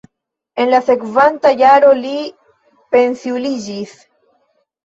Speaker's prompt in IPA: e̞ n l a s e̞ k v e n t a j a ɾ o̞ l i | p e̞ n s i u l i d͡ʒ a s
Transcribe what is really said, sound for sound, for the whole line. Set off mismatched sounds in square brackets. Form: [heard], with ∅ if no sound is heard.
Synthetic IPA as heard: e̞ n l a s e̞ k v [a] n t a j a ɾ o̞ l i | p e̞ n s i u l i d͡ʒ [i] s